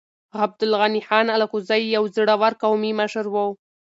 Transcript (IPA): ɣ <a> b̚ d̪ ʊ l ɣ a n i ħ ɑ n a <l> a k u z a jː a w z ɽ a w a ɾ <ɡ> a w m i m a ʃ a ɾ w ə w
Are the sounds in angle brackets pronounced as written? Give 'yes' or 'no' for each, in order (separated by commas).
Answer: yes, yes, no